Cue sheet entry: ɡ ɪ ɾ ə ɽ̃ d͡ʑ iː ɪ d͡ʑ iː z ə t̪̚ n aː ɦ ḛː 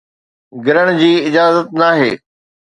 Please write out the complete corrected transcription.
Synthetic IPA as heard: ɡ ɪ ɾ ə ɽ̃ d͡ʑ iː ɪ d͡ʑ aː z ə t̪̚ n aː ɦ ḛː